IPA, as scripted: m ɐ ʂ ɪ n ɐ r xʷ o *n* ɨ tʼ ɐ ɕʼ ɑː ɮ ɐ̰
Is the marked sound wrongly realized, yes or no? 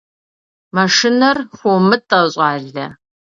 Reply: yes